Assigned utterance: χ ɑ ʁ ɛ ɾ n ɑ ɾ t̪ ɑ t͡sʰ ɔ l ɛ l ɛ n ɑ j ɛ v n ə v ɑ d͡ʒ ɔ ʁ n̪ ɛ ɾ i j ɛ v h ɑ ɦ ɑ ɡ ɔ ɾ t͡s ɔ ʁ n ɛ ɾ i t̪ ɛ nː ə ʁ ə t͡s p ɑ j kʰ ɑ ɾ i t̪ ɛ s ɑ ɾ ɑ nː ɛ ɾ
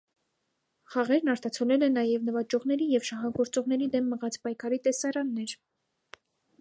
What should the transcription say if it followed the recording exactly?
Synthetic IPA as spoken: χ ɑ ʁ ɛ ɾ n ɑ ɾ t̪ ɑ t͡sʰ ɔ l ɛ l ɛ n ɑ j ɛ v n ə v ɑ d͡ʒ ɔ ʁ n̪ ɛ ɾ i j ɛ v ʃ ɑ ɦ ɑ ɡ ɔ ɾ t͡s ɔ ʁ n ɛ ɾ i d̪ ɛ mː ə ʁ ɑ t͡s p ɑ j kʰ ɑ ɾ i t̪ ɛ s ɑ ɾ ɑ nː ɛ ɾ

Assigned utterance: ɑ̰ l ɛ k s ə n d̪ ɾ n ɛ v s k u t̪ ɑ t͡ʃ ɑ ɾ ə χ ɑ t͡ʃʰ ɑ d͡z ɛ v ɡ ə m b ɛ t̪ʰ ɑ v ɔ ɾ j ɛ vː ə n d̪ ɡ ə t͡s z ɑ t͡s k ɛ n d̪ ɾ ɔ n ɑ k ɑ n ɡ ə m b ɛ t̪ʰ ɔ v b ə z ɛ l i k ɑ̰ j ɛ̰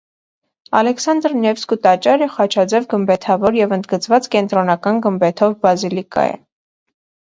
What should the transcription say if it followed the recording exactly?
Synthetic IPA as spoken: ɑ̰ l ɛ k s ɑ n d̪ ɾ n ɛ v s k u t̪ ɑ t͡ʃ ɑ ɾ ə χ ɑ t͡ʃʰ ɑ d͡z ɛ v ɡ ə m b ɛ t̪ʰ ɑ v ɔ ɾ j ɛ v ə n d̪ ɡ ə t͡s v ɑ t͡s k ɛ n t̪ ɾ ɔ n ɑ k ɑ n ɡ ə m b ɛ t̪ʰ ɔ v b ɑ z i l i k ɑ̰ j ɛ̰

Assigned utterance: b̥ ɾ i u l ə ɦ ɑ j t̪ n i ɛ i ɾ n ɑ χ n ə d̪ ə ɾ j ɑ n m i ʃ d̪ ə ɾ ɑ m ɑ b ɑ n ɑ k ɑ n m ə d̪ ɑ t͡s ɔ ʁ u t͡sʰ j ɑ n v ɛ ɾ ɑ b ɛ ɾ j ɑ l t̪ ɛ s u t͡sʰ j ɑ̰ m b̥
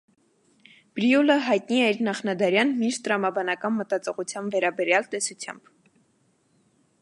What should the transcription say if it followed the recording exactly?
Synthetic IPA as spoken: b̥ ɾ i u l ə ɦ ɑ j t̪ n i ɛ i ɾ n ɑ χ n ɑ d̪ ɑ ɾ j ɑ n m i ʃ t̪ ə ɾ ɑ m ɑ b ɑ n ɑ k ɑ n m ə t̪ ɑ t͡s ɔ ʁ u t͡sʰ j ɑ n v ɛ ɾ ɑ b ɛ ɾ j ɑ l t̪ ɛ s u t͡sʰ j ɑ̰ m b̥

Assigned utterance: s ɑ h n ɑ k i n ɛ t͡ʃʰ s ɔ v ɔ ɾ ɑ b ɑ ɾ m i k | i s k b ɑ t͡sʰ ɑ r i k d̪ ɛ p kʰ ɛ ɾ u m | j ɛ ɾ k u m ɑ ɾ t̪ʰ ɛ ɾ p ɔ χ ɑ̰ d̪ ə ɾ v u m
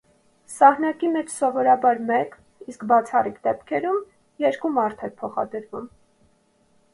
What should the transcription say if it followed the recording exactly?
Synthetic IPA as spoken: s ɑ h n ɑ k i m ɛ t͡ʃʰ s ɔ v ɔ ɾ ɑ b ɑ ɾ m ɛ k | i s k b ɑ t͡sʰ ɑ r i k d̪ ɛ p kʰ ɛ ɾ u m | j ɛ ɾ k u m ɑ ɾ t̪ʰ ɛ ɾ pʰ ɔ χ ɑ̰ d̪ ə ɾ v u m

